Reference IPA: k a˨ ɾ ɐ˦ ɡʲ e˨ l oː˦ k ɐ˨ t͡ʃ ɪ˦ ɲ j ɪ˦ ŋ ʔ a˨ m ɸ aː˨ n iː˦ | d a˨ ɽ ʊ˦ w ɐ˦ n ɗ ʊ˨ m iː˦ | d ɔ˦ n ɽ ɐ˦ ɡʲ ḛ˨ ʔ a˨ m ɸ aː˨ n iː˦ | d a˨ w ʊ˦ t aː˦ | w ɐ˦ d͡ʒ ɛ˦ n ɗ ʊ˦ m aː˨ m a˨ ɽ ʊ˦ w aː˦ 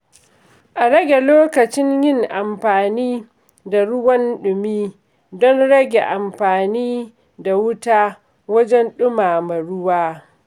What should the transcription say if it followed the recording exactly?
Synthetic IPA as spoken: ʔ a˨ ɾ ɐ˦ ɡʲ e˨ l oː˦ k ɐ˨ t͡ʃ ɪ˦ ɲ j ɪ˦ ŋ ʔ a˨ m ɸ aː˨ n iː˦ | d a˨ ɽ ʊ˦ w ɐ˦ n ɗ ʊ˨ m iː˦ | d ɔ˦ n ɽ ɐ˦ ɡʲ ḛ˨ ʔ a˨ m ɸ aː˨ n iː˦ | d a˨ w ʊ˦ t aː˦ | w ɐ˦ d͡ʒ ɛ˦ n ɗ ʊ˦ m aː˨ m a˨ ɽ ʊ˦ w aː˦